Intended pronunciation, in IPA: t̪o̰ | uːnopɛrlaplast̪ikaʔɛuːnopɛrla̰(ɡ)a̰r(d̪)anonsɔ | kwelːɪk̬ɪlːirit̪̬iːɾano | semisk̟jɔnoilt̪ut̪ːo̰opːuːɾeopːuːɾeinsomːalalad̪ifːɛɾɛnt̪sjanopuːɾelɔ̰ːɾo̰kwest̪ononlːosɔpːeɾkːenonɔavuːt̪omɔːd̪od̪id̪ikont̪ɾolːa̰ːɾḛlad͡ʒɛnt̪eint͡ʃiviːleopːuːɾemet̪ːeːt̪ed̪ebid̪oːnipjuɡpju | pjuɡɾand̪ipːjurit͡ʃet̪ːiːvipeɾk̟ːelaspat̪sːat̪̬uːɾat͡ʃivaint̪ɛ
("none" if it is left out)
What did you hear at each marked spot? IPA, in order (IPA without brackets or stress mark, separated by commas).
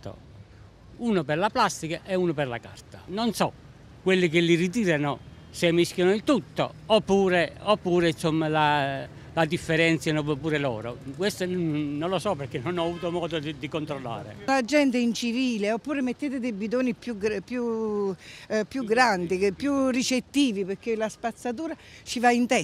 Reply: k, t̪